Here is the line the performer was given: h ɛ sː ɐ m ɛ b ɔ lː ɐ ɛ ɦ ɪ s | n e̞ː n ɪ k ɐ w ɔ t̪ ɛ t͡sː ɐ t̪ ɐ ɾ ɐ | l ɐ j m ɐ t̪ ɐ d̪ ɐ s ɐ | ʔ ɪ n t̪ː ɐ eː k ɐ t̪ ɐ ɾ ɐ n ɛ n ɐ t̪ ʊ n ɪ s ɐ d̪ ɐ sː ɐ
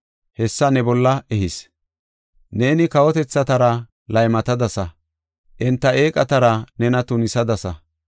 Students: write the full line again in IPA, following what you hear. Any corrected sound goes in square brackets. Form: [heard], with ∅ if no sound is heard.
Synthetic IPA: h ɛ sː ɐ [n] ɛ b ɔ lː ɐ ɛ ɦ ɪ s | n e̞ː n ɪ k ɐ w ɔ t̪ ɛ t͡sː ɐ t̪ ɐ ɾ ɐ | l ɐ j m ɐ t̪ ɐ d̪ ɐ s ɐ | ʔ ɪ n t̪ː ɐ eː [kʼ] ɐ t̪ ɐ ɾ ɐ n ɛ n ɐ t̪ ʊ n ɪ s ɐ d̪ ɐ [s] ɐ